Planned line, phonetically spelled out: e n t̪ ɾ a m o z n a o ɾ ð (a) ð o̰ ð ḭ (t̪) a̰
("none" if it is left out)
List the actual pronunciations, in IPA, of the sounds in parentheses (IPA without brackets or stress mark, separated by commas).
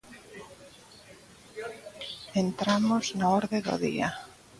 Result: e, none